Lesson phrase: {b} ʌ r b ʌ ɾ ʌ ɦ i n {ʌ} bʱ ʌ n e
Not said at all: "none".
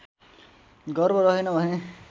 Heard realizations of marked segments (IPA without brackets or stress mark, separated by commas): ɡ, ʌ